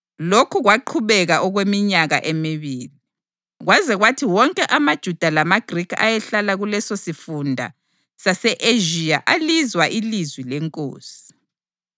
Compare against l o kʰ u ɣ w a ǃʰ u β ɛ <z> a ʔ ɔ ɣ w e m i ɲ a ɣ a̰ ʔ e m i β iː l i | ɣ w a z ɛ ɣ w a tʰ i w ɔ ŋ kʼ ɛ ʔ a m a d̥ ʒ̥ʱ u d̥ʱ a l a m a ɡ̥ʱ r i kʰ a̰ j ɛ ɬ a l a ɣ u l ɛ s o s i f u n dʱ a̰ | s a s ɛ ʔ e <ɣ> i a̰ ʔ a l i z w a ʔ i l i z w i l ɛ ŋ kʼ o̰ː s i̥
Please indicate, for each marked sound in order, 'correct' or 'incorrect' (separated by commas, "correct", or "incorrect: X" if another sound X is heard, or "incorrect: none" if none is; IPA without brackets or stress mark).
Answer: incorrect: ɣ, incorrect: ʒ